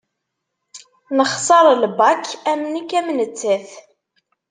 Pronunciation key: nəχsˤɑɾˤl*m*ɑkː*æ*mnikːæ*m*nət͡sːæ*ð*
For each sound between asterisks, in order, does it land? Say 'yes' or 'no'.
no, yes, yes, no

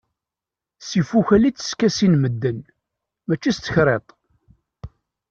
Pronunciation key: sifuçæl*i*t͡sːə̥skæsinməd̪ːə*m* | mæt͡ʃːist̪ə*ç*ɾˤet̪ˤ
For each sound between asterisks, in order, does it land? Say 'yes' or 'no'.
yes, no, yes

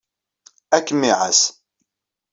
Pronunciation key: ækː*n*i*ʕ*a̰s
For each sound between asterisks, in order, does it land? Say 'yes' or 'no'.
no, yes

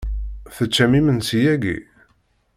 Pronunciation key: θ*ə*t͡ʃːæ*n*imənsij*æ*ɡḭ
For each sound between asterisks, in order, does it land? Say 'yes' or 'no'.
yes, no, yes

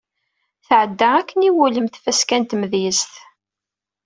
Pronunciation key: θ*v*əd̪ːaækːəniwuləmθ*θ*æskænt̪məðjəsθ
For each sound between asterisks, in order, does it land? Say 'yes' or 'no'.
no, no

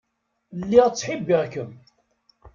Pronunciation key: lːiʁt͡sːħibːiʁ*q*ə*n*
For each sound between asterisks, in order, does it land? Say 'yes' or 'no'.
no, no

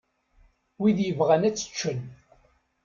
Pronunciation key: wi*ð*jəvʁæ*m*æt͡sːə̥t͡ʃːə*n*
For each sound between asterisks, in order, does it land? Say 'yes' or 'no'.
yes, no, yes

